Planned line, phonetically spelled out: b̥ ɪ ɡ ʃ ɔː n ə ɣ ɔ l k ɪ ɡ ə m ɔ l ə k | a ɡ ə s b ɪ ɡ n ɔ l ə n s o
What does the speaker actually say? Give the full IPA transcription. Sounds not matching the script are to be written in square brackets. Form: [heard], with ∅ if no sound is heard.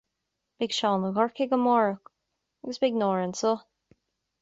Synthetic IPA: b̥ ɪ ɡ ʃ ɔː n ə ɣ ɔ [ɹ] k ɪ ɡ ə m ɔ [ɹ] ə k | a ɡ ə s b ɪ ɡ n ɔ [ɹ] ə n s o